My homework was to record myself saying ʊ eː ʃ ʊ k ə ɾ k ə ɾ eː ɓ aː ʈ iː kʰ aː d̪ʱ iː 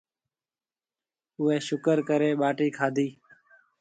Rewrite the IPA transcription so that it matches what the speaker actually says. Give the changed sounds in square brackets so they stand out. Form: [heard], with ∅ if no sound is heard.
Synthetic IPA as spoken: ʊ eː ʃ ʊ k ə ɾ k ə ɾ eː ɓ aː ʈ iː kʰ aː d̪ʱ iː